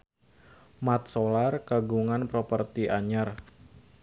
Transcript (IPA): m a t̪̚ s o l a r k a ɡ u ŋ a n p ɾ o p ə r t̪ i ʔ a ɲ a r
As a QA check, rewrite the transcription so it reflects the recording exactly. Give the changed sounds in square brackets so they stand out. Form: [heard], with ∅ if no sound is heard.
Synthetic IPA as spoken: m a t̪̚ s o l a r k a ɡ u ŋ a n p ɾ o p ə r t̪ i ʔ a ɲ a r